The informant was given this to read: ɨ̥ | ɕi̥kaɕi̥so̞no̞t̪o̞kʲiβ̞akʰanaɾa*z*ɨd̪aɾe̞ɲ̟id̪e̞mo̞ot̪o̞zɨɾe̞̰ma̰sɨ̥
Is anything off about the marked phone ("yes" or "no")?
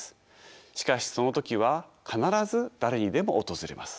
no